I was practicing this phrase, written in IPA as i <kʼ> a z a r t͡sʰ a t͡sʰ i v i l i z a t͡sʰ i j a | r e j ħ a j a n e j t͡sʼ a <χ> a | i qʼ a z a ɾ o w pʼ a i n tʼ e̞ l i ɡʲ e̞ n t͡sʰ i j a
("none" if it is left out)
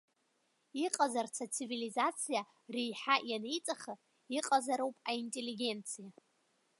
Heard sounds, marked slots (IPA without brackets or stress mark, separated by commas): qʼ, χ